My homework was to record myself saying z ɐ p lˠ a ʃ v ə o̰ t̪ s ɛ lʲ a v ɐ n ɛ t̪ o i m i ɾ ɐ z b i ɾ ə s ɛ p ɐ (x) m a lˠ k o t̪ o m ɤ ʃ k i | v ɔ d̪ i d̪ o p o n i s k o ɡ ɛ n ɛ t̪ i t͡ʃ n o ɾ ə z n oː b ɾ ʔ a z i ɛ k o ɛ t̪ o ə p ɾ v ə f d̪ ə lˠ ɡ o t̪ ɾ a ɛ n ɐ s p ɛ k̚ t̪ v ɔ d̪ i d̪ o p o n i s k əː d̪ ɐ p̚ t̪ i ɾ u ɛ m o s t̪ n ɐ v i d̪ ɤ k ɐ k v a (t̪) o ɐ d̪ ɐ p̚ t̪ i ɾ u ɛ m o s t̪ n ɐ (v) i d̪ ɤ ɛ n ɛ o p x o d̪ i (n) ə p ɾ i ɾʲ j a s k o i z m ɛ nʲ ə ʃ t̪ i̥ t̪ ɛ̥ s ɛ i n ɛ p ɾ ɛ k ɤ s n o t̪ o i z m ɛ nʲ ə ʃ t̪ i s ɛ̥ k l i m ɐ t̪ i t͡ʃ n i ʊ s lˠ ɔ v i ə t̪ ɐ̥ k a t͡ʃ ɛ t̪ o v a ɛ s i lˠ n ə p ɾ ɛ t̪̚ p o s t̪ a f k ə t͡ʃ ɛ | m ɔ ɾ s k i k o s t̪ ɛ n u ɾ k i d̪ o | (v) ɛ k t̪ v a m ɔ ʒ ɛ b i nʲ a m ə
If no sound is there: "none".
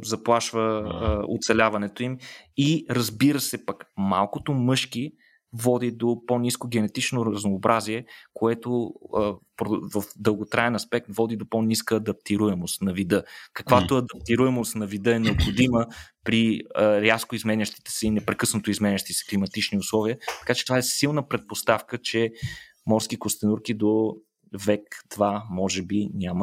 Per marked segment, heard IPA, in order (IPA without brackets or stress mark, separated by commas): k, t̪, v, m, v